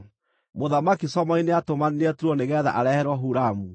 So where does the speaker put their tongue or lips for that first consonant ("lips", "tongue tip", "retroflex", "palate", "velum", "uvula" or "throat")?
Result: lips